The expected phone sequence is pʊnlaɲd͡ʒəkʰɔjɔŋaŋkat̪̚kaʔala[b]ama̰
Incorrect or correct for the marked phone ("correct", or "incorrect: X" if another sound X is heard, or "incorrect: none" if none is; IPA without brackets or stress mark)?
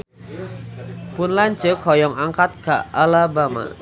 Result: correct